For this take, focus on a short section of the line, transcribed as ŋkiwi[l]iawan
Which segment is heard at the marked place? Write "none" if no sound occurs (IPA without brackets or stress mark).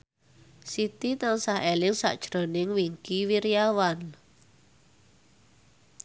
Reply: ɾ